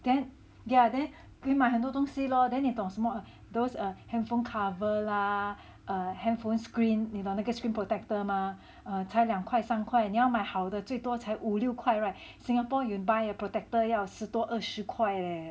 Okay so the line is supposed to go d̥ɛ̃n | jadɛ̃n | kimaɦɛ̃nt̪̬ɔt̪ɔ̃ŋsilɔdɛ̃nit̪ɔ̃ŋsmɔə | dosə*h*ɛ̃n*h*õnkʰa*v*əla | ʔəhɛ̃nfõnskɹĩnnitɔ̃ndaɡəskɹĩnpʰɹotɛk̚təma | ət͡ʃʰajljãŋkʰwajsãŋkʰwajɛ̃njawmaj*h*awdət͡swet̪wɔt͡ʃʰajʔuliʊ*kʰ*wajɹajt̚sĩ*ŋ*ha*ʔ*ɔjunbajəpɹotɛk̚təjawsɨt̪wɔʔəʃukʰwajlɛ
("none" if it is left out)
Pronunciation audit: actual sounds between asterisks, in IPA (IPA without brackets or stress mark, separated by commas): h, f, v, h, kʰ, ŋ, p